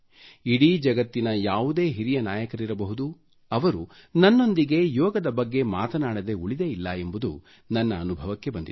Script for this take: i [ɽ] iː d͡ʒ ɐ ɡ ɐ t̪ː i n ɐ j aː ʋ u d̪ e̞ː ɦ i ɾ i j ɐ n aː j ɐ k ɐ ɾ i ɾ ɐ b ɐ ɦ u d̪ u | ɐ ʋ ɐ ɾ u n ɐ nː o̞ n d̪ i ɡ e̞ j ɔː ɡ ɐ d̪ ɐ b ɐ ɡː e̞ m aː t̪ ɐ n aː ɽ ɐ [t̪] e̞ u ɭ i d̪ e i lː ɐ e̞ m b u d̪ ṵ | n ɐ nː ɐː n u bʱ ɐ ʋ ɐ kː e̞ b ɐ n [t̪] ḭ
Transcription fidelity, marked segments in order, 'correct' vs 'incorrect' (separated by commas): correct, incorrect, incorrect